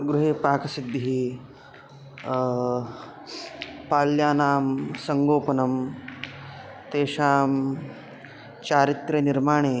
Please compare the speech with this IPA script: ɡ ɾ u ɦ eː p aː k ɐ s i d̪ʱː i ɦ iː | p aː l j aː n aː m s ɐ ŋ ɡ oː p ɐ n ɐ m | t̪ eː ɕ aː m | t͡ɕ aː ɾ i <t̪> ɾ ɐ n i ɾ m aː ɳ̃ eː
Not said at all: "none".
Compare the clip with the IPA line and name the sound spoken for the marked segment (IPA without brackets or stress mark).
t̪